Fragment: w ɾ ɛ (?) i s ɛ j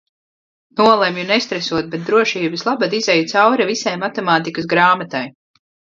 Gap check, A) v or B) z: A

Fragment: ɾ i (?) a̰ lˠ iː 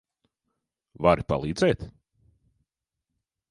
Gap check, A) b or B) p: B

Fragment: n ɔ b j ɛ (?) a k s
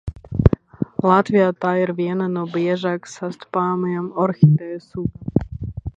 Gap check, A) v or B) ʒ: B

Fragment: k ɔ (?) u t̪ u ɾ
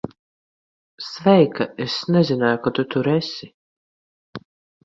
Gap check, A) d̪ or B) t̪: B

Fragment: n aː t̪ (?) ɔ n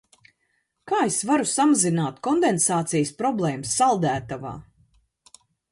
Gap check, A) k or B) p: A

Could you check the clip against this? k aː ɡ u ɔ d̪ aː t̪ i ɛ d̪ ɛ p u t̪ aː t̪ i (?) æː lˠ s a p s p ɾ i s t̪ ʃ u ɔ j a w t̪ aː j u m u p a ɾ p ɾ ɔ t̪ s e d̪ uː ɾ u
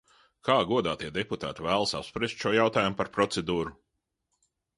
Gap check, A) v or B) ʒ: A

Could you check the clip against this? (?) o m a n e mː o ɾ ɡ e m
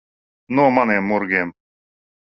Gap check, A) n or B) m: A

